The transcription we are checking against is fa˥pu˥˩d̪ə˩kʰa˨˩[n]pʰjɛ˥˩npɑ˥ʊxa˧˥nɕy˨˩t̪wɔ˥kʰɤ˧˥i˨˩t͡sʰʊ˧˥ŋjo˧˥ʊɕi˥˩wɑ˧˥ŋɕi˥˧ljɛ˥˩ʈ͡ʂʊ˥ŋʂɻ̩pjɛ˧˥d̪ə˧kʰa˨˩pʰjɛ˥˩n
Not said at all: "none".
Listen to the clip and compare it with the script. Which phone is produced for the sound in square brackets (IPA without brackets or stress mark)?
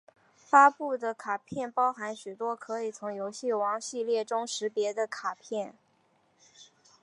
none